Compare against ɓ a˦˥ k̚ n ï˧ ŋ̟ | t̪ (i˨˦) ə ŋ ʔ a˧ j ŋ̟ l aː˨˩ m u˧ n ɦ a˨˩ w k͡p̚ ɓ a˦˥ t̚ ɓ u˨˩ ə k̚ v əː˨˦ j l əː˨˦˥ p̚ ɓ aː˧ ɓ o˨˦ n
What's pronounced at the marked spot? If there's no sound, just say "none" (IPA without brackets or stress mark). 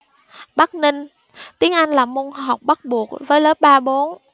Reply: i˨˦